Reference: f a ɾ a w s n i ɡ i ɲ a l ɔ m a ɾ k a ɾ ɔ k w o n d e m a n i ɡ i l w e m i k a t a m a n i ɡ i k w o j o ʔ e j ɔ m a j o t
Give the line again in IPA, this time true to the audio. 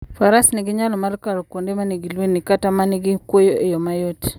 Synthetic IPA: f a ɾ a s n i ɡ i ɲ a l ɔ m a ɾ k a ɾ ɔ k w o n d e m a n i ɡ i l w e n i k a t a m a n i ɡ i k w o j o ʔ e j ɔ m a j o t